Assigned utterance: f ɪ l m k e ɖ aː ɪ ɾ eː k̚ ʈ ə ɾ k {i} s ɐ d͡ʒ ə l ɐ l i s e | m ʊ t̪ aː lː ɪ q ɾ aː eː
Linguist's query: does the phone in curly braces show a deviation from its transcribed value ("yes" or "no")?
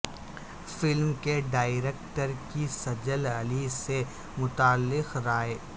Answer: no